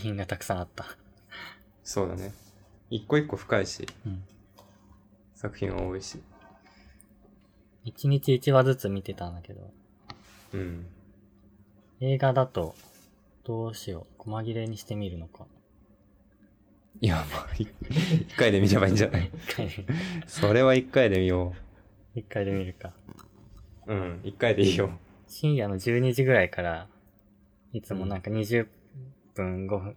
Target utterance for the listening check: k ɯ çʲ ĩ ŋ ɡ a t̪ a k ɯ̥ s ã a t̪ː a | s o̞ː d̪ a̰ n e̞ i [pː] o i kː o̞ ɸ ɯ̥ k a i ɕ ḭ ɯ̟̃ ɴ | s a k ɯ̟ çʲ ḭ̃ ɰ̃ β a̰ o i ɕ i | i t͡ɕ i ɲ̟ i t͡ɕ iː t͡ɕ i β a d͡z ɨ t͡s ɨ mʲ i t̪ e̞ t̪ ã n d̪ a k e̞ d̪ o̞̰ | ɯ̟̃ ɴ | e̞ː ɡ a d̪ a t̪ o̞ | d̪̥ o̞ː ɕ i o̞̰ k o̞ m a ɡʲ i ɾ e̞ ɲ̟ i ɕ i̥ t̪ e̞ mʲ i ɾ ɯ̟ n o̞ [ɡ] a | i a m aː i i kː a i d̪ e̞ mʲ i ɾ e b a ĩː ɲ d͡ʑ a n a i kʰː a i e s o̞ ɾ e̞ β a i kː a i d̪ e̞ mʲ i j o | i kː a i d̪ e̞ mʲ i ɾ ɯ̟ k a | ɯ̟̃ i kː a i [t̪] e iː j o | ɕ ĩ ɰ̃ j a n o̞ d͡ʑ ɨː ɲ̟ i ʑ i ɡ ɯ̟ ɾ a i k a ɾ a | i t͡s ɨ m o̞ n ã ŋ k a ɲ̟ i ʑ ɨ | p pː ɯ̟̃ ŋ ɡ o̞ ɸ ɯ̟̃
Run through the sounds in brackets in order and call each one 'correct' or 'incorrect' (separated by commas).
incorrect, incorrect, incorrect